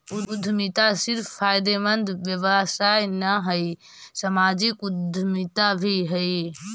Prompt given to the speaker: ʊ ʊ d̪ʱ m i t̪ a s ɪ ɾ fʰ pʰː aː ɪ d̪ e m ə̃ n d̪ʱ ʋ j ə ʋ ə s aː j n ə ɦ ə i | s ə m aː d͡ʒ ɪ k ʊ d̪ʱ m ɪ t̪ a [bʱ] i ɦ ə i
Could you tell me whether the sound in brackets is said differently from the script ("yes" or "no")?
no